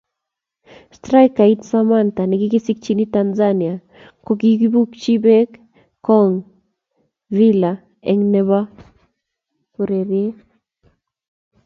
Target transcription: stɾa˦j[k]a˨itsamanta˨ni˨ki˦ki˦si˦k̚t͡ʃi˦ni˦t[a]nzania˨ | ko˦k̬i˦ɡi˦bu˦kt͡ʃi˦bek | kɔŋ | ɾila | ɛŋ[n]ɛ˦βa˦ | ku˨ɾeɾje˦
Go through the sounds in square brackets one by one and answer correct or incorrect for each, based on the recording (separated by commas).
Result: correct, correct, correct